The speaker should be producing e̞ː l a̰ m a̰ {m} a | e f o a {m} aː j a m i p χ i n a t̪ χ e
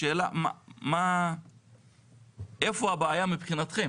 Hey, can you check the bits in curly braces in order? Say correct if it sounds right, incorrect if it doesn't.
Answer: correct, incorrect: b

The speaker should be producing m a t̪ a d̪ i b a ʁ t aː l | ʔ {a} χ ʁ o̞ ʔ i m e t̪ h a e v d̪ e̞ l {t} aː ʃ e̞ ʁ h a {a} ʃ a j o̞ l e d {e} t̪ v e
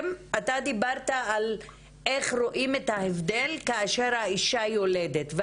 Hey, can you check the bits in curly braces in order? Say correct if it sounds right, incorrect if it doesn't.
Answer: incorrect: e, incorrect: k, incorrect: i, correct

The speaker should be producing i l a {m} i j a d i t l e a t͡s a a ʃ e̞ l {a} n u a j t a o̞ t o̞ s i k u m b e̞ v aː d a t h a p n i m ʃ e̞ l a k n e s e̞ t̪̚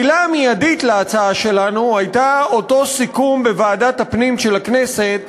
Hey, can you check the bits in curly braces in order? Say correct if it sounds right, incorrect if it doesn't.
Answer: correct, correct

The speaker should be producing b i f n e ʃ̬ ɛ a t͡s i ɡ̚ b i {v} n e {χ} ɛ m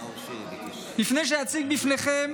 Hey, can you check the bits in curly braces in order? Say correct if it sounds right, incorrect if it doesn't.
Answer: incorrect: f, correct

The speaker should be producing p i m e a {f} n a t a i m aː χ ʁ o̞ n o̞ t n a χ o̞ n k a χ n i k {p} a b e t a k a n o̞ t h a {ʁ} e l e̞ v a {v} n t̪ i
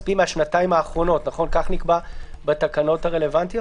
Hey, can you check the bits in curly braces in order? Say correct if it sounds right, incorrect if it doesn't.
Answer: incorrect: ʃ, incorrect: b, correct, incorrect: none

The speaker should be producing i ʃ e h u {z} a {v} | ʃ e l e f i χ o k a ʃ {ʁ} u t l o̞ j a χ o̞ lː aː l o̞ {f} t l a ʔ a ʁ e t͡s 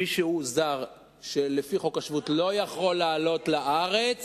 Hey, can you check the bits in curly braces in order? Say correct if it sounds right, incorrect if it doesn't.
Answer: correct, incorrect: ʁ, incorrect: v, incorrect: none

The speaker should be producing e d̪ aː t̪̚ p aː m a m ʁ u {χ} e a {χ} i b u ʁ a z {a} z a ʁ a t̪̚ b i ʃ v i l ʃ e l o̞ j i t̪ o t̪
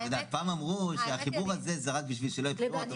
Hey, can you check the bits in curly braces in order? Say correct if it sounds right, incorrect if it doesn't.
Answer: incorrect: ʃ, correct, incorrect: e

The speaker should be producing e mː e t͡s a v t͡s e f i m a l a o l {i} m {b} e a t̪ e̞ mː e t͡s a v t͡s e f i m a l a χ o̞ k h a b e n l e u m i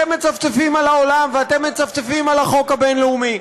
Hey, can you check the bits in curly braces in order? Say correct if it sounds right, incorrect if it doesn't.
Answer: incorrect: a, incorrect: v

